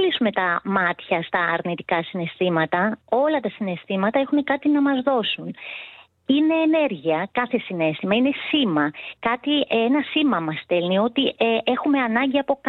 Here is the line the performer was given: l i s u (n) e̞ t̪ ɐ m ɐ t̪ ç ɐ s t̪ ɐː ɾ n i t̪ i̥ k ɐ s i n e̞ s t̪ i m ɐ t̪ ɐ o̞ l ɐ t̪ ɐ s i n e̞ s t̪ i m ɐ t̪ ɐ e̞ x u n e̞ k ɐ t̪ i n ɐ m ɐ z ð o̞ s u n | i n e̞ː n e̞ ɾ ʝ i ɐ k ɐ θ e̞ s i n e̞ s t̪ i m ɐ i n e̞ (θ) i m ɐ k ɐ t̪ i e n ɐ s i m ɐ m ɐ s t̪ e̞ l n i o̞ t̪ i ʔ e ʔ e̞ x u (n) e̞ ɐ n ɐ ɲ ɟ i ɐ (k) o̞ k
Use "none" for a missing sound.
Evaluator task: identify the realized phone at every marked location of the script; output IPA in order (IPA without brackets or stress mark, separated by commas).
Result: m, s, m, p